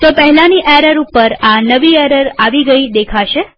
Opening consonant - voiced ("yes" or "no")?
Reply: no